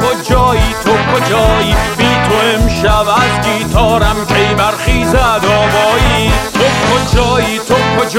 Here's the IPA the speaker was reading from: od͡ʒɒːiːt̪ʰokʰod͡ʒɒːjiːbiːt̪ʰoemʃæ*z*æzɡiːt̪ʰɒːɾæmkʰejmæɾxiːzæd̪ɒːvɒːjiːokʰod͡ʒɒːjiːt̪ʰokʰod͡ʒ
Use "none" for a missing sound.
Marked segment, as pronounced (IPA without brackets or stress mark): v